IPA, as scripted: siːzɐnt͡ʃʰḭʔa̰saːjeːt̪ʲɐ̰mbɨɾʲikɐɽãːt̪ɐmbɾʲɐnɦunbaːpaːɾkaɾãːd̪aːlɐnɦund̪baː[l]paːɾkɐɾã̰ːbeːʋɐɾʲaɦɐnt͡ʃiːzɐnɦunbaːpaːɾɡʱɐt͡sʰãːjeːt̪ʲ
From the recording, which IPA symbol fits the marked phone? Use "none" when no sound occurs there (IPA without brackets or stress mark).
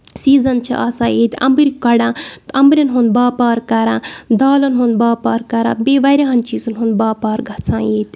none